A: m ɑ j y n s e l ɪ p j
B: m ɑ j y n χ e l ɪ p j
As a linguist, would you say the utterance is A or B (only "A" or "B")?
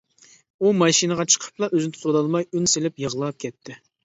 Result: A